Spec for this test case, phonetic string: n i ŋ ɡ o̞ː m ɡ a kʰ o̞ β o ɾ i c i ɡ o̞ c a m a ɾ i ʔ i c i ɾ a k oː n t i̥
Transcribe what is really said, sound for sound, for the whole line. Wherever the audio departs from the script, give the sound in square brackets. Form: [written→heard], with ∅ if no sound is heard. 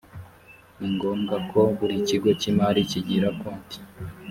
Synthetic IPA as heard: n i ŋ ɡ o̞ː m ɡ a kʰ o̞ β [o→u] ɾ i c i ɡ o̞ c [a→i] m a ɾ i [ʔ→c] i [c→ɟ] i ɾ a k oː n t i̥

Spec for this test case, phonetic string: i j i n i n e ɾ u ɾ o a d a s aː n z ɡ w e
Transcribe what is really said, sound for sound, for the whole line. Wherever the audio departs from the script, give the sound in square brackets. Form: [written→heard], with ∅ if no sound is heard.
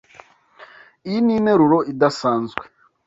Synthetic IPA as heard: i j i n i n e ɾ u ɾ o [a→i] d a s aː n z ɡ w e

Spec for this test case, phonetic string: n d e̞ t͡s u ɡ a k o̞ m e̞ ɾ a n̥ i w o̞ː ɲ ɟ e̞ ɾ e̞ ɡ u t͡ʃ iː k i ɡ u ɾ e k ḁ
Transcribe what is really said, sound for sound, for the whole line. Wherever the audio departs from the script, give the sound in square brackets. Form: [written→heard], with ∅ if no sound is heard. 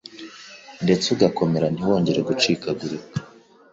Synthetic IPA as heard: n d e̞ t͡s u ɡ a k o̞ m e̞ ɾ a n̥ i w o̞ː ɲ ɟ e̞ ɾ e̞ ɡ u t͡ʃ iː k [i→a] ɡ u ɾ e k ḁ

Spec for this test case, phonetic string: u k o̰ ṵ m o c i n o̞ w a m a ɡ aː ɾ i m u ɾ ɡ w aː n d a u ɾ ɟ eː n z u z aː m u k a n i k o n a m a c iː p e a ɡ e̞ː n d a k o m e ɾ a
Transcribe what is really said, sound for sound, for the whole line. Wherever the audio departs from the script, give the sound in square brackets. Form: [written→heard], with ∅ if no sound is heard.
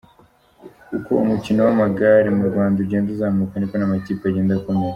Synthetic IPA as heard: u k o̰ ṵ m [o→u] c i n o̞ w a m a ɡ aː ɾ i m u ɾ ɡ w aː n d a u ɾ ɟ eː n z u z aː m u k a n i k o n a m a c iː p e a [ɡ→ɟ] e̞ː n d a k o m e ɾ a

